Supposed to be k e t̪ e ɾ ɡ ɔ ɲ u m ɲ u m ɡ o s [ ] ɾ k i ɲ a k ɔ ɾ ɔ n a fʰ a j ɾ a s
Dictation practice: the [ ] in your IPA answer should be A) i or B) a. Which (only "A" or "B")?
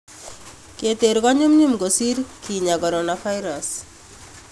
A